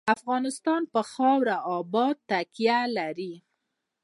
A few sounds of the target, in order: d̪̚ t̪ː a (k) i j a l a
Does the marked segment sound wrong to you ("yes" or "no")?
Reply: no